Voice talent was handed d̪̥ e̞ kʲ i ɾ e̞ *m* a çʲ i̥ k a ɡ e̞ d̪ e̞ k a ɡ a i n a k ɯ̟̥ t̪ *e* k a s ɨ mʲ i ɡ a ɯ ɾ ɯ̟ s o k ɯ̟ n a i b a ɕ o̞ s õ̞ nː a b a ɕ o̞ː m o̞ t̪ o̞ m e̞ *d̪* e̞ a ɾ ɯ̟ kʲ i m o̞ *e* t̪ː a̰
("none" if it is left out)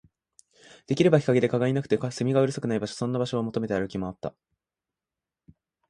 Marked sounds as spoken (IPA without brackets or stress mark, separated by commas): b, e, t̪, a